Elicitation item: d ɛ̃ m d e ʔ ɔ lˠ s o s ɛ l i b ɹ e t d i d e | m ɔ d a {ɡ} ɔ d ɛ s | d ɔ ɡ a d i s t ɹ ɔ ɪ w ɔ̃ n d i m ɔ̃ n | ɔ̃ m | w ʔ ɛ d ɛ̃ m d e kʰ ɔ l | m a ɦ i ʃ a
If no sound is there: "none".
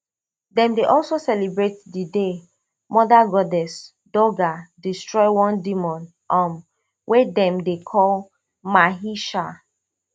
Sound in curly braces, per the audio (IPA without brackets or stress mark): ɡ